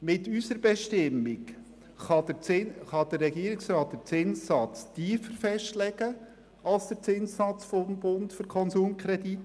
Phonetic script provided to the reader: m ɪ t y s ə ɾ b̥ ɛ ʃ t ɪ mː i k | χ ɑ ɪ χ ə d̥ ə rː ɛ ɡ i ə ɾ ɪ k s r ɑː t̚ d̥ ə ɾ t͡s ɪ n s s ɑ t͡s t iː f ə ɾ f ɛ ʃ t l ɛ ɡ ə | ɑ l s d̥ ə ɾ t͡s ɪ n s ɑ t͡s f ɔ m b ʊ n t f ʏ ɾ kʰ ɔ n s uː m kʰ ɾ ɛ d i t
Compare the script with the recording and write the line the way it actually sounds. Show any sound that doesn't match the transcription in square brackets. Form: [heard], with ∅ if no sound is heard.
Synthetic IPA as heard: m ɪ t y s ə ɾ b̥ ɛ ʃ t ɪ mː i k | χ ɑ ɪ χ [ɑ] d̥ ə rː ɛ ɡ i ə ɾ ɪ k s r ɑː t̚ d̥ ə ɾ t͡s ɪ n s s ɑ t͡s t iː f ə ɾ f ɛ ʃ t l ɛ ɡ ə | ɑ l s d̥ ə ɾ t͡s ɪ n s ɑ t͡s f ɔ m b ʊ n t f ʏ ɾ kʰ ɔ n s uː m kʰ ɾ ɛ d i t

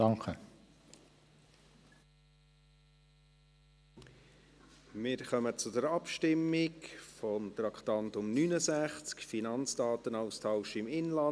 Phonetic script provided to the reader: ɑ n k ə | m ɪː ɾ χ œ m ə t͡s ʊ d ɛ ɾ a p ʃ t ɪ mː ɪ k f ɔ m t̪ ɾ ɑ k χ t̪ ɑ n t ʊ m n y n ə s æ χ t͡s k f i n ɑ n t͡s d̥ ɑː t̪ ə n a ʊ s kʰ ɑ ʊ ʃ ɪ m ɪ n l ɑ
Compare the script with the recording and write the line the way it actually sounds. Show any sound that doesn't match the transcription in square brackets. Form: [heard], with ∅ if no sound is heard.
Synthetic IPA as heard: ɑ [ŋ] k ə | m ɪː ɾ χ œ m ə t͡s ʊ d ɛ ɾ [ɑ] p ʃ t ɪ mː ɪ k f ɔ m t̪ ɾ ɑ k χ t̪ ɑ n t ʊ m n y n ə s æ χ t͡s k f i n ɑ n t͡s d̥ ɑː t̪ ə n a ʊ s [tʰ] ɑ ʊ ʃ ɪ m ɪ n l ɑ

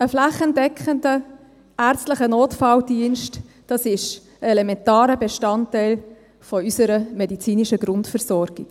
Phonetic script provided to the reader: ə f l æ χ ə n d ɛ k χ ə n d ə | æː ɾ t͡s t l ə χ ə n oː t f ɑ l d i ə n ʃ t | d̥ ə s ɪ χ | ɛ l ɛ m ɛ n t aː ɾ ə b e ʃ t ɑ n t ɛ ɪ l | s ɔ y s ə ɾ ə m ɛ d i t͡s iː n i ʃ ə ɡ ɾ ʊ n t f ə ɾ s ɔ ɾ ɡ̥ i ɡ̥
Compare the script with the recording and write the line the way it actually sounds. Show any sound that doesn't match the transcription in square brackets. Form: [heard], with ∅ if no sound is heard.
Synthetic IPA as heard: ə f l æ χ ə n d ɛ k χ ə n d ə | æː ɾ t͡s t l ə χ ə n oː t f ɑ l d i ə n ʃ t | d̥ [ɑ] s ɪ [ʃ] | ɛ l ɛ m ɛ n t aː ɾ ə b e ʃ t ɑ n t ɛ ɪ l | [f] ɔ y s ə ɾ ə m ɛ d i t͡s iː n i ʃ ə ɡ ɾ ʊ n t f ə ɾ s ɔ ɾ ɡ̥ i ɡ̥

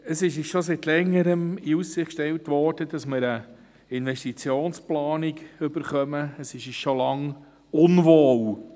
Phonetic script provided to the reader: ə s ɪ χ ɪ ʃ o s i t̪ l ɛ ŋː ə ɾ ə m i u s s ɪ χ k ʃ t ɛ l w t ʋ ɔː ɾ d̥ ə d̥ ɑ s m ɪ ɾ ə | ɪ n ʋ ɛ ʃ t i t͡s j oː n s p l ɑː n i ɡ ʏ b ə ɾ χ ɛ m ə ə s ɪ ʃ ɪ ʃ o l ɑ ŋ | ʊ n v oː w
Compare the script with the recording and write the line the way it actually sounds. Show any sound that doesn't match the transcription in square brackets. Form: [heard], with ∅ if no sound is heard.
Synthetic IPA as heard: ə s ɪ [ʃ] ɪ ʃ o s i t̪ l ɛ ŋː ə ɾ ə m i u s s ɪ χ k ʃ t ɛ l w t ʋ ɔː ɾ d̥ ə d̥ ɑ s m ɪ ɾ ə | ɪ n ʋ ɛ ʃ t i t͡s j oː n s p l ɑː n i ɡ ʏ b ə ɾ χ [œ] m ə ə s ɪ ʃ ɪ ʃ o l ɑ ŋ | ʊ n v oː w

